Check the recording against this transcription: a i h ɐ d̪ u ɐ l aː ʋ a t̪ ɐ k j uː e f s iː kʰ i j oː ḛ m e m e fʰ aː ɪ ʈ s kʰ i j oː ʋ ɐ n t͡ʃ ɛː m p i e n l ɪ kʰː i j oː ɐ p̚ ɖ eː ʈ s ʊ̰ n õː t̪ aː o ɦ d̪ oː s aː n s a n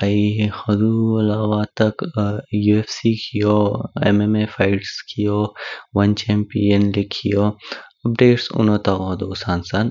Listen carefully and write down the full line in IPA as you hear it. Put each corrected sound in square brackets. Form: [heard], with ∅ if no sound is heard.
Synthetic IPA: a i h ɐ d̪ u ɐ l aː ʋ a t̪ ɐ k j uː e f s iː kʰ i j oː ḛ m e m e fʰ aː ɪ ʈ s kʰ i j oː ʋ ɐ n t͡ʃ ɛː m p i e n l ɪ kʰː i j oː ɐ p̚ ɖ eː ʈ s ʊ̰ n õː t̪ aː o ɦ d̪ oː s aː n s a n

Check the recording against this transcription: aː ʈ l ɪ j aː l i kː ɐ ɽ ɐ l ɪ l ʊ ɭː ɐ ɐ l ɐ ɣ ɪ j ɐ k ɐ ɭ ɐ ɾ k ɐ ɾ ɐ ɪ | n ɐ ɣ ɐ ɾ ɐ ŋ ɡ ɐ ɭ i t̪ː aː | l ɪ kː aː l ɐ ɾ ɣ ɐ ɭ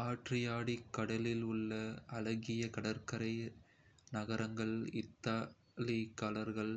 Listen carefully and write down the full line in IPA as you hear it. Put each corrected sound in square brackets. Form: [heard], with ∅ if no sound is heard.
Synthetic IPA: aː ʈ [r] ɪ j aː [ɽ] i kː ɐ ɽ ɐ l ɪ l ʊ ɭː ɐ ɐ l ɐ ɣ ɪ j ɐ k ɐ [ɽ] ɐ ɾ k ɐ ɾ ɐ ɪ | n ɐ ɣ ɐ ɾ ɐ ŋ ɡ ɐ ɭ [ɪ] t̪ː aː | l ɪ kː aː l ɐ ɾ ɣ ɐ ɭ

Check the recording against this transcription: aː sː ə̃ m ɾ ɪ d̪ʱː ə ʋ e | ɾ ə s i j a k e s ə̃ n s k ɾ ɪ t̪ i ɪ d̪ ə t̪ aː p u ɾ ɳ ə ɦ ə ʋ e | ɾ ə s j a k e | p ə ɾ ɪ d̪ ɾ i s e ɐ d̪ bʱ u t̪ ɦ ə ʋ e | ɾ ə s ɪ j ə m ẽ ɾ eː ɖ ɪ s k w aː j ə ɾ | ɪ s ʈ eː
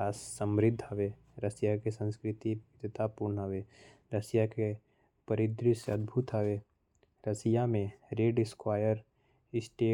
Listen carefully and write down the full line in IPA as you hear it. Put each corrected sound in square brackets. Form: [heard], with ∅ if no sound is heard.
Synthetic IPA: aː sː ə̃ m ɾ ɪ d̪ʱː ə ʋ e | ɾ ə s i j a k e s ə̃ n s k ɾ ɪ t̪ i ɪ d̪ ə t̪ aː p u ɾ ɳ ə ɦ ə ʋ e | ɾ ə s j a k e | p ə ɾ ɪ d̪ ɾ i s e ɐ d̪ bʱ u t̪ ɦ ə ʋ e | ɾ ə s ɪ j [a] m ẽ ɾ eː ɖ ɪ s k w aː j ə ɾ | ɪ s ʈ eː

